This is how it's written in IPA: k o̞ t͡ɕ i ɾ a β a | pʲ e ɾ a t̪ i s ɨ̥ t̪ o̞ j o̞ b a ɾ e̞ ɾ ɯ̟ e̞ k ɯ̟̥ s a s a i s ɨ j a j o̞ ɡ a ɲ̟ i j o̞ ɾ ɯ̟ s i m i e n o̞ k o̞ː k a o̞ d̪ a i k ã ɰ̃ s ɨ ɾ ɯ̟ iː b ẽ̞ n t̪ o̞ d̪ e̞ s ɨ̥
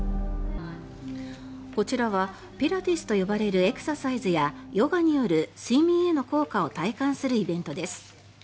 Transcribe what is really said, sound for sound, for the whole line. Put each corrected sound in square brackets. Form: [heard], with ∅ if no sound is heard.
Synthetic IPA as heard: k o̞ t͡ɕ i ɾ a β a | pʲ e ɾ a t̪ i s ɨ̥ t̪ o̞ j o̞ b a ɾ e̞ ɾ ɯ̟ e̞ k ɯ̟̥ s a s a i [z] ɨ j a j o̞ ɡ a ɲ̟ i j o̞ ɾ ɯ̟ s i m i e n o̞ k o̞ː k a o̞ [t̪] a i k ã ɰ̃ s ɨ ɾ ɯ̟ [i] b ẽ̞ n t̪ o̞ d̪ e̞ s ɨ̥

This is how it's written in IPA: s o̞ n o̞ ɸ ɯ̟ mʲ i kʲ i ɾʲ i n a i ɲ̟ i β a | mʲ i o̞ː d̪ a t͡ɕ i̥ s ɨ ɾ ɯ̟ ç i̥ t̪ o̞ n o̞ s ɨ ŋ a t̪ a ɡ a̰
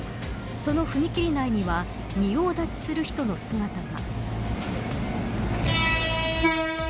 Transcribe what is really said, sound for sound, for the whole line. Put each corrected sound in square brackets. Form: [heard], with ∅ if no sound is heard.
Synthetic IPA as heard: s o̞ n o̞ ɸ ɯ̟ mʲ i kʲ i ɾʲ i n a i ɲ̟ i β a | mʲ i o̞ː d̪ a t͡ɕ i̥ s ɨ ɾ ɯ̟ ç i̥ t̪ o̞ n o̞ s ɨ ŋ a t̪ a ɡ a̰

